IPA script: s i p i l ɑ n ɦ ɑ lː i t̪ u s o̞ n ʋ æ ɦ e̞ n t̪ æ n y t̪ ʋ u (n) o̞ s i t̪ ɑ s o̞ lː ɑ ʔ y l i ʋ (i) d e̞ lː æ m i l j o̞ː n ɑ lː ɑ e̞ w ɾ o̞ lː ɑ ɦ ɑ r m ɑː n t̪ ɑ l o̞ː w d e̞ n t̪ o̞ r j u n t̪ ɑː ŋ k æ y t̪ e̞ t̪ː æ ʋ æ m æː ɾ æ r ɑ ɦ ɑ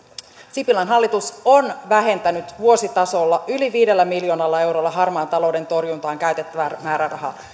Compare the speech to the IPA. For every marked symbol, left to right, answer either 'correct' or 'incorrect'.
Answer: incorrect: none, incorrect: iː

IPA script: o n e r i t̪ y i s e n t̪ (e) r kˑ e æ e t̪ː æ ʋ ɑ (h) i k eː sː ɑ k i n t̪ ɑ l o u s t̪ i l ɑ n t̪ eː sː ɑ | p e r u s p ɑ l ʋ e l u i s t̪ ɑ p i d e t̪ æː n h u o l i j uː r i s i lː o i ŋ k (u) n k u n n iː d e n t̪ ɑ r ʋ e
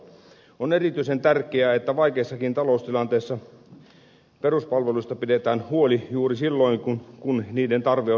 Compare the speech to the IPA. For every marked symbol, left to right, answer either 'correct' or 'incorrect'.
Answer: incorrect: æ, incorrect: none, correct

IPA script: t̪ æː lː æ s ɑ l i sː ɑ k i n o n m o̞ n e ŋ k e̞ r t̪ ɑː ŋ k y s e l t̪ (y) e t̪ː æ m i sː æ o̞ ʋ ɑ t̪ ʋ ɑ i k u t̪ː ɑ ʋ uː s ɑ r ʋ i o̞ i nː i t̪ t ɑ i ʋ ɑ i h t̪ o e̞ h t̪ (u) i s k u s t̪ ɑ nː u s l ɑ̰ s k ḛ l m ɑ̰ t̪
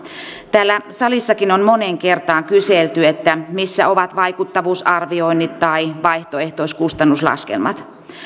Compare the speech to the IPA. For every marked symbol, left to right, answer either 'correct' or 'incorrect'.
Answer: correct, incorrect: o

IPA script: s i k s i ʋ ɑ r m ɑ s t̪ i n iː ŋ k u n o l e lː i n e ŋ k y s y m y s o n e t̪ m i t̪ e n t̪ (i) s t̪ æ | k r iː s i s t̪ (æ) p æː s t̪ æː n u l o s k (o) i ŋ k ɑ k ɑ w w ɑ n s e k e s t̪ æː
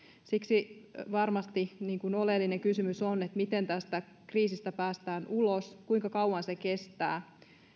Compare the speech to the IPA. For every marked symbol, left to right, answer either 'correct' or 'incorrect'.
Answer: incorrect: æ, correct, incorrect: u

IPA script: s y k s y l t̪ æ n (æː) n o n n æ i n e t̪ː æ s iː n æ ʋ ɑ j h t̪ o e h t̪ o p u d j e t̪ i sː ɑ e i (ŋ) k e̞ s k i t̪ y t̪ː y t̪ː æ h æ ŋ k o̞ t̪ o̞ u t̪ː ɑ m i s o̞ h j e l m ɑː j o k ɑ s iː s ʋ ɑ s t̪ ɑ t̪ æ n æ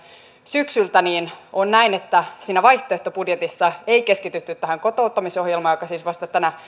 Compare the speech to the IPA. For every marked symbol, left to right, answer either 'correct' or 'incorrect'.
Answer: incorrect: iː, incorrect: none

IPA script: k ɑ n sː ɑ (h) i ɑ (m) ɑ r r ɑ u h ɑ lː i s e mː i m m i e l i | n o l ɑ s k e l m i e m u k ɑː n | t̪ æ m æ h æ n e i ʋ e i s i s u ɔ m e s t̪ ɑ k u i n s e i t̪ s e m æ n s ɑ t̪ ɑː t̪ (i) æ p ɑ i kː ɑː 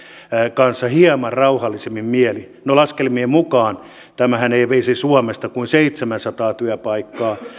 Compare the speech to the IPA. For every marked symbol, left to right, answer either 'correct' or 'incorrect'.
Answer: correct, correct, incorrect: y

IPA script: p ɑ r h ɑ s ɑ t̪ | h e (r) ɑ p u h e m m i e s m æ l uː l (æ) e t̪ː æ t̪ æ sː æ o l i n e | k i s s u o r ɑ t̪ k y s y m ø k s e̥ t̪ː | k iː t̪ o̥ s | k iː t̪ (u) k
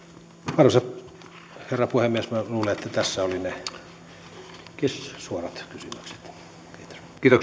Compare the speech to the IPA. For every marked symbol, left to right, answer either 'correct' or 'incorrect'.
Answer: incorrect: rː, incorrect: e, incorrect: o

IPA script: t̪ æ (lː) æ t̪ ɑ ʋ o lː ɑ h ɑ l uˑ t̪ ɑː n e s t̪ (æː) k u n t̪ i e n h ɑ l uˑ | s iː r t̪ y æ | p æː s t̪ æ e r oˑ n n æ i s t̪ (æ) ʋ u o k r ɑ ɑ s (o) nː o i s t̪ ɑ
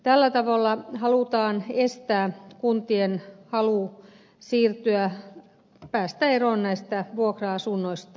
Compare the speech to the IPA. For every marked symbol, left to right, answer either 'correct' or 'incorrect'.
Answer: correct, correct, correct, incorrect: u

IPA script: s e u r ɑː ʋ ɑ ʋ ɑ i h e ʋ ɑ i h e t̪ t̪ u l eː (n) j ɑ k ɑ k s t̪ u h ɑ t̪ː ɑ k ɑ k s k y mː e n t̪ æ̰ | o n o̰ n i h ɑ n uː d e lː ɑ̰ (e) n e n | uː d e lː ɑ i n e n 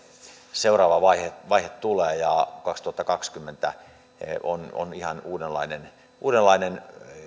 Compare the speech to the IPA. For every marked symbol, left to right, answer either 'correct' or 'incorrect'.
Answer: incorrect: none, incorrect: i

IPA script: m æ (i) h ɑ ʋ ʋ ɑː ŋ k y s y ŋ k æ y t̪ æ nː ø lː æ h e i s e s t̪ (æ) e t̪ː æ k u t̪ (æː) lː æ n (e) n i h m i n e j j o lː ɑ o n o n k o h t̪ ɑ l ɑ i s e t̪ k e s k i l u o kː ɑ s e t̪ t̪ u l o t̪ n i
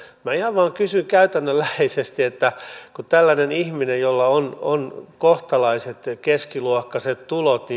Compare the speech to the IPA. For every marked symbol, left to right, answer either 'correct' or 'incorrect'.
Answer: correct, incorrect: i, incorrect: æ, correct

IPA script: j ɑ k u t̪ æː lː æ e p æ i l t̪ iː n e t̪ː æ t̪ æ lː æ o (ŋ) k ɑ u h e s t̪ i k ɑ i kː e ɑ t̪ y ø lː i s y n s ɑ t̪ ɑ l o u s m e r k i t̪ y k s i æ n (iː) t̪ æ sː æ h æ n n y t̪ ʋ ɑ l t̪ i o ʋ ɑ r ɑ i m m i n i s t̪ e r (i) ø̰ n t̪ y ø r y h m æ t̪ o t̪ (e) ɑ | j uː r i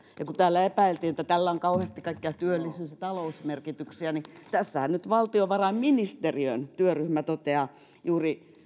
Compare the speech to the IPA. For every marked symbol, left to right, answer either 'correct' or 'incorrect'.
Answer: correct, incorrect: i, correct, correct

